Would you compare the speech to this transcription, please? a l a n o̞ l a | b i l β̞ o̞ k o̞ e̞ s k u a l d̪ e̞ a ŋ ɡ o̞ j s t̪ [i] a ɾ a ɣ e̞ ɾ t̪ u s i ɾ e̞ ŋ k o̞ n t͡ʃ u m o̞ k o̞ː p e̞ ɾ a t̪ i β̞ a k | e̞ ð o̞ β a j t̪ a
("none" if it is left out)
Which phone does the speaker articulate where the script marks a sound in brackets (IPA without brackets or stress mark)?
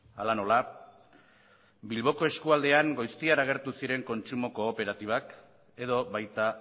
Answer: i